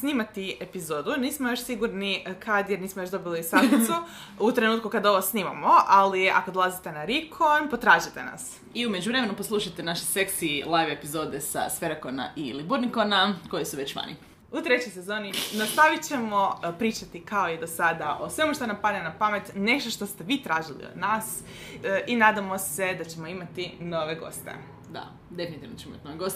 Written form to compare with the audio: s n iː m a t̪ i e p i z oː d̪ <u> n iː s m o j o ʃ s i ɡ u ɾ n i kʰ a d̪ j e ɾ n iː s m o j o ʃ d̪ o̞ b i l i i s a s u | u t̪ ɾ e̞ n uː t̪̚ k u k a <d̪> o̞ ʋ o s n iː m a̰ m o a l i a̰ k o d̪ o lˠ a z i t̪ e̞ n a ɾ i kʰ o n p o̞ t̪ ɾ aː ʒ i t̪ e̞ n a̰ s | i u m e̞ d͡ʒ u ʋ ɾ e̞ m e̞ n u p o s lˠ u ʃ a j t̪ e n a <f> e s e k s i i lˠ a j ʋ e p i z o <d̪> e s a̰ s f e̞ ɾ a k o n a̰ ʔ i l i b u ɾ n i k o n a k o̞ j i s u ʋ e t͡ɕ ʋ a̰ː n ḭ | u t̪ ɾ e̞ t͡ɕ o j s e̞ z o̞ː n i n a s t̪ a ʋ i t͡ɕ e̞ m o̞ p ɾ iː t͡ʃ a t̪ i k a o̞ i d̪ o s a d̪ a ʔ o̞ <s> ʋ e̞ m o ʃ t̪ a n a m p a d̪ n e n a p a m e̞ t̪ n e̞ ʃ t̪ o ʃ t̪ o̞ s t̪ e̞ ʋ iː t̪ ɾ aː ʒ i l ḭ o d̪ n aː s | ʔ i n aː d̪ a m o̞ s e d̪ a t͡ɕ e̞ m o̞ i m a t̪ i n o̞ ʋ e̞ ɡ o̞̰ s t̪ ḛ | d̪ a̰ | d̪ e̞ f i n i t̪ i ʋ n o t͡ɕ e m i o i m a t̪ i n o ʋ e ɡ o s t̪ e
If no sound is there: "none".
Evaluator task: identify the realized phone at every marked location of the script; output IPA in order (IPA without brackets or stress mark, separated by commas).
u, d̪, ʃ, d̪, s